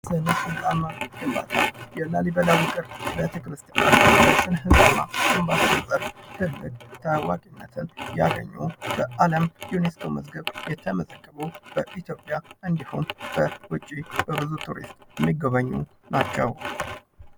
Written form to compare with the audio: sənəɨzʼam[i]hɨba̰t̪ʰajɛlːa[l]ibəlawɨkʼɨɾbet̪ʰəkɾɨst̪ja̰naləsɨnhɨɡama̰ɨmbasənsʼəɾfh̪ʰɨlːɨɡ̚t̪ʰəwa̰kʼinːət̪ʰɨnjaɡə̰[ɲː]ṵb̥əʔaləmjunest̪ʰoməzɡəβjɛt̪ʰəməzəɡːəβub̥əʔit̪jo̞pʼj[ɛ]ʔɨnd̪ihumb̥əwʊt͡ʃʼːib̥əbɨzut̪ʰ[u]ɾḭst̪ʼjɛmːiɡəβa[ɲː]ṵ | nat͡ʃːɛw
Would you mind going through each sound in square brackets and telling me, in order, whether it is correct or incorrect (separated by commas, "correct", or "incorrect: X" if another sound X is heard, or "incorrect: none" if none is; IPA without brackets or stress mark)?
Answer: incorrect: a, correct, correct, incorrect: a, correct, correct